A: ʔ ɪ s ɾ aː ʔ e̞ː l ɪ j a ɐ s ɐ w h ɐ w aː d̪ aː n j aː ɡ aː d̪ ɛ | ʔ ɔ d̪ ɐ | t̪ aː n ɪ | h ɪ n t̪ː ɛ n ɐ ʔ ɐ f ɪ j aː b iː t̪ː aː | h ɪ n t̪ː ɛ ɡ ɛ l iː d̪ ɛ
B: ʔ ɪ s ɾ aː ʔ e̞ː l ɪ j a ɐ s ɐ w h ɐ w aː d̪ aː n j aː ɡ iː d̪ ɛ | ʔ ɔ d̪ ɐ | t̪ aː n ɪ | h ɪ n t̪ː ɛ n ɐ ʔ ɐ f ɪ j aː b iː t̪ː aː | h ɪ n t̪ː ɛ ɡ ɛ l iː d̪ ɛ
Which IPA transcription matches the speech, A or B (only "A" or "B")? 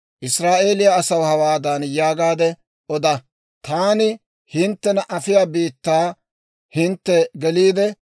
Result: A